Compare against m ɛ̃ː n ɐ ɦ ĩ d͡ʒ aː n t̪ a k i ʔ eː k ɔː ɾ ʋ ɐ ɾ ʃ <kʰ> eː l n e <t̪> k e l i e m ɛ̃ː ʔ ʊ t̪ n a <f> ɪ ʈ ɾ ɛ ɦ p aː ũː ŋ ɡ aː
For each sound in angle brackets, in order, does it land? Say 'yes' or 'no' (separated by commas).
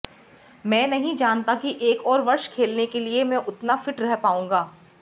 yes, no, yes